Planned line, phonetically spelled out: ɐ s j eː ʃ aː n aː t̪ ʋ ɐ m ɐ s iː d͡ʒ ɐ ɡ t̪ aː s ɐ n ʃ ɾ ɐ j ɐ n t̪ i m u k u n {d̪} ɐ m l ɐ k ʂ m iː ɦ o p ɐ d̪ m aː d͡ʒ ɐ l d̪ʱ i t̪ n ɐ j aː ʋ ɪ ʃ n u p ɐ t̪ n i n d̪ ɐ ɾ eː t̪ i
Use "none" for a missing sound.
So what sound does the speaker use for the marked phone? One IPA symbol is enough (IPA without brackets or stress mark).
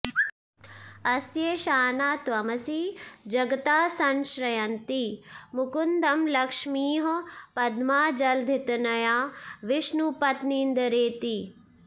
d̪